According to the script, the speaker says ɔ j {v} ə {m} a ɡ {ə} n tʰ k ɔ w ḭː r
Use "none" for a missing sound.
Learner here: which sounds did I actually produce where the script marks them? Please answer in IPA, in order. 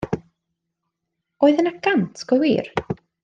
ð, n, a

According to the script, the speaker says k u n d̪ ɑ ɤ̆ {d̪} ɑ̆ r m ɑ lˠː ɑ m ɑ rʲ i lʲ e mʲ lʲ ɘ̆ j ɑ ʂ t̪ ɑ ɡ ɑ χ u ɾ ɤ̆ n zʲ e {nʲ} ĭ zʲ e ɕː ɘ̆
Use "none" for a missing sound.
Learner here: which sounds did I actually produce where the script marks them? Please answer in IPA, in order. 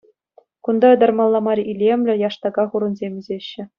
d̪, mʲ

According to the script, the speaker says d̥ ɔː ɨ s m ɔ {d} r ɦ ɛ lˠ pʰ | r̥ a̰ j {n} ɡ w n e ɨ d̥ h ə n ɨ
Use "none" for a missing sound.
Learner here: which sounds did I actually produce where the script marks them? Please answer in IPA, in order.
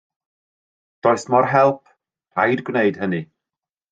none, d

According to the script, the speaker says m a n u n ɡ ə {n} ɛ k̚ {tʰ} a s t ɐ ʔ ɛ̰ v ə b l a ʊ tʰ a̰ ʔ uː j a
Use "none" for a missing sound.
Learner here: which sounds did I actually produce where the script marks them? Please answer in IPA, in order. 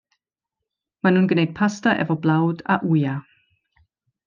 n, pʰ

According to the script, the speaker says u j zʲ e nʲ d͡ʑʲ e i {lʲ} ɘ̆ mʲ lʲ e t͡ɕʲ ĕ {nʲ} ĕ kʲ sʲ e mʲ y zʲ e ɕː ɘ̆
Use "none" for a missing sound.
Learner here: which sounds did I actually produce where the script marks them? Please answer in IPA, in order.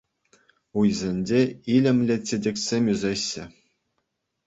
lʲ, dʲ

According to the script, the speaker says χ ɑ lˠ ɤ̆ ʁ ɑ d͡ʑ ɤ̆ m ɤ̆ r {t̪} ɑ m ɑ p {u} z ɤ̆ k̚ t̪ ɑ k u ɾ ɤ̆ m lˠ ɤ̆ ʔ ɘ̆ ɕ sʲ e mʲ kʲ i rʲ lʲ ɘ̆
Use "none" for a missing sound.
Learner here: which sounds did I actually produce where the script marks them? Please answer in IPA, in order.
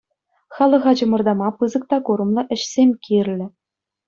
d̪, ɯ

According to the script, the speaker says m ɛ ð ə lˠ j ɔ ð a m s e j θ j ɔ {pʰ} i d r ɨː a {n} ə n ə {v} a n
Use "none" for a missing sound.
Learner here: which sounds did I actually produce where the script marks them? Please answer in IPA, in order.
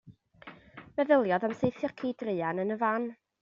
kʰ, n, v

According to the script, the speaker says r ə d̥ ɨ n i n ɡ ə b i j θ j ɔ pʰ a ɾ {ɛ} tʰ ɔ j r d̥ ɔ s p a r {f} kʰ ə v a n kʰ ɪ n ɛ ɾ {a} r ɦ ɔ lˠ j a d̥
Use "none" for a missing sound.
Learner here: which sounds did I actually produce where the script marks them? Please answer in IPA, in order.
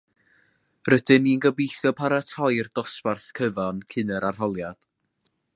a, θ, a

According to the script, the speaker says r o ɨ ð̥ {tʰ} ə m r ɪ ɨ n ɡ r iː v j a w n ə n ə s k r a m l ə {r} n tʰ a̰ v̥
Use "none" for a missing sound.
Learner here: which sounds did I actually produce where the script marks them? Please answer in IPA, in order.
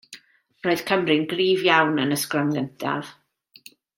kʰ, none

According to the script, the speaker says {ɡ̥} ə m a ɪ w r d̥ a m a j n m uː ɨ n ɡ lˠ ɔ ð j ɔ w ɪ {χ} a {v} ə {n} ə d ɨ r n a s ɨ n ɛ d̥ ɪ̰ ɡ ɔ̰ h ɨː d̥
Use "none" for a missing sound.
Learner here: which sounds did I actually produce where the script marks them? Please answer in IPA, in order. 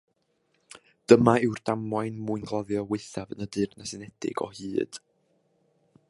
d̥, θ, v, n

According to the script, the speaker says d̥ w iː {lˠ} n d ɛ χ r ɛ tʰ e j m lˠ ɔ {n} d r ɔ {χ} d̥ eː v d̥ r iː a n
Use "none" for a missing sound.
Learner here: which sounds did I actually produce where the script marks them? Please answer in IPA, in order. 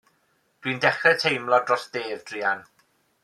none, none, s

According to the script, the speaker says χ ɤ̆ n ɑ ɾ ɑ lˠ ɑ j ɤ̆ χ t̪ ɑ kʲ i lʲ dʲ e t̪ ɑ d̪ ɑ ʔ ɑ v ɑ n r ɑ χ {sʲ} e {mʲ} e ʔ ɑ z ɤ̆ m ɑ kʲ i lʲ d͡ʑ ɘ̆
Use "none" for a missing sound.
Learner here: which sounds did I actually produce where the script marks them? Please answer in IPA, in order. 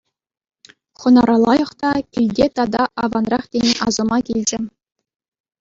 tʲ, nʲ

